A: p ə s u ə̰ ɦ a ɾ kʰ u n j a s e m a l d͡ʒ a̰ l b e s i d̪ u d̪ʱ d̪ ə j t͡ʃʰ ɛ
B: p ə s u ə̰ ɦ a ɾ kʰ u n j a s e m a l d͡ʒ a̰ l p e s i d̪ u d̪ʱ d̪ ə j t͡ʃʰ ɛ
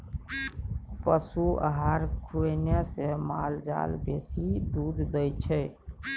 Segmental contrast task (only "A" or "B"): A